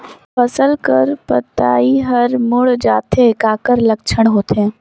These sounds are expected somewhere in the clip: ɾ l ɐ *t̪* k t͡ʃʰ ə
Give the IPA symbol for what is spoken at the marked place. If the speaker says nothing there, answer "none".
none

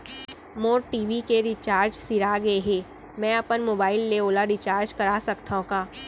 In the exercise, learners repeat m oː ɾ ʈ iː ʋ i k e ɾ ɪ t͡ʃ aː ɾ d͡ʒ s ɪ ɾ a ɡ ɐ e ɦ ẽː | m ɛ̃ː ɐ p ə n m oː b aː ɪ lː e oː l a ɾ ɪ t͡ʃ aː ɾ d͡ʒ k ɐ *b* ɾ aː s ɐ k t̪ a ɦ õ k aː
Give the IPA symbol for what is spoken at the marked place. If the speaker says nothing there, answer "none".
none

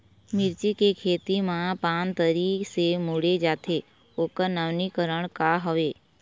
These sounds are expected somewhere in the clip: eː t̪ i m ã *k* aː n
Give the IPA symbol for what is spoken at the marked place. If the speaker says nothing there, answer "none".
p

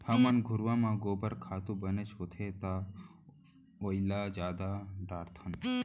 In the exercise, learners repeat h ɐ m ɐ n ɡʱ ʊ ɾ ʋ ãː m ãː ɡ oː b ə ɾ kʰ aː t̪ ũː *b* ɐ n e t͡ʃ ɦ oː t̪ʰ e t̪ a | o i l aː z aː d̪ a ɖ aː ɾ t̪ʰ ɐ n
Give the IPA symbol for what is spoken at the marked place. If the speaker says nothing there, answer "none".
b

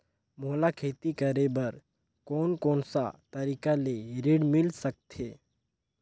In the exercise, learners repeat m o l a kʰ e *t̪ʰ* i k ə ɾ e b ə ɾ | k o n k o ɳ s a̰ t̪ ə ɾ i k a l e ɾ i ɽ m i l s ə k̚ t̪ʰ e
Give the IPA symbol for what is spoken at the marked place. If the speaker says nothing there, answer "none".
t̪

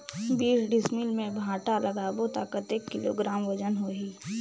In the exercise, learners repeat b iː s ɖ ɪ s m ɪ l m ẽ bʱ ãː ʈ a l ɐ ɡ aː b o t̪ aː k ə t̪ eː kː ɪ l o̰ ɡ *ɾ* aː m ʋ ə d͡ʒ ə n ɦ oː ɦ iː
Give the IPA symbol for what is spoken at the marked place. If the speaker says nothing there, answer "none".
ɾ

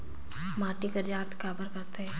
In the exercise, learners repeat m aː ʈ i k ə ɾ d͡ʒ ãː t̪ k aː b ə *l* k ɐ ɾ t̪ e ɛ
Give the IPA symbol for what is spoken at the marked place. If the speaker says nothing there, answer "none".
ɾ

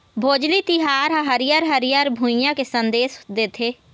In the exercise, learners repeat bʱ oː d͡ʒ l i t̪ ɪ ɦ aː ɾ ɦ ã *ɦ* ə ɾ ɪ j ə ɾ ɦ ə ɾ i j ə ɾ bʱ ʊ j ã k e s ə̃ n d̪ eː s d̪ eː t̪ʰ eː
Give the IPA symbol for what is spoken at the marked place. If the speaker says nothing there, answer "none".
ɦ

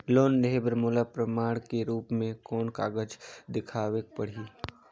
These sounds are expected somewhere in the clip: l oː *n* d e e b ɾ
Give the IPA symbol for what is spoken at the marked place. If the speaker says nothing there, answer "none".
n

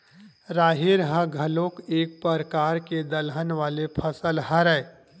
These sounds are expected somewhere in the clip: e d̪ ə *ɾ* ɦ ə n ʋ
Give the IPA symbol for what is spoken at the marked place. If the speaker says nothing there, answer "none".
l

